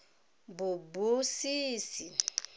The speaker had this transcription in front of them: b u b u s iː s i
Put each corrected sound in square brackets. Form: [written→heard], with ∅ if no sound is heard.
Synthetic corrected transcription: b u b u s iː s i